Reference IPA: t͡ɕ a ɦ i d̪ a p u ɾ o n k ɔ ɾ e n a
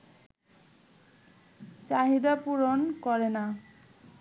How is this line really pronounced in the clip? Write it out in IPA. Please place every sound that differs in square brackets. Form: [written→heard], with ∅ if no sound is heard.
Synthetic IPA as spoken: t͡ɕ a ɦ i d̪ a p u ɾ o n k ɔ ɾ e n a